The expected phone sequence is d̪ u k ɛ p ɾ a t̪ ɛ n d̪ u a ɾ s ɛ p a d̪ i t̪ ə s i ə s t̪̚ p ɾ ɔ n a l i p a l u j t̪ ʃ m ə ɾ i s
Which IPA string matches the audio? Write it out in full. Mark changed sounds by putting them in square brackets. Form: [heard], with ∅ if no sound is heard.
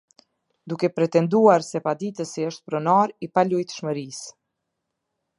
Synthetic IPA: d̪ u k ɛ p ɾ [ɛ] t̪ ɛ n d̪ u a ɾ s ɛ p a d̪ i t̪ ə s i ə [ʃ] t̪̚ p ɾ ɔ n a [ɾ] i p a l u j t̪ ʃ m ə ɾ i s